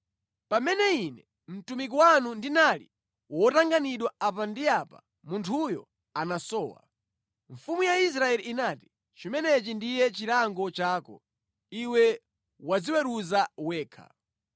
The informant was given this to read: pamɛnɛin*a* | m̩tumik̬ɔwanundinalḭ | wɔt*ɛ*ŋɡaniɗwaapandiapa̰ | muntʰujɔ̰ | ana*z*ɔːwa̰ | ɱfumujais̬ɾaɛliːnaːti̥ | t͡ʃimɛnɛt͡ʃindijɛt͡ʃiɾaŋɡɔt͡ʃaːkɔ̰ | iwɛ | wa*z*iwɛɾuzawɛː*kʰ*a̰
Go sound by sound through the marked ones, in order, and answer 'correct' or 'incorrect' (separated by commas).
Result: incorrect, incorrect, incorrect, incorrect, correct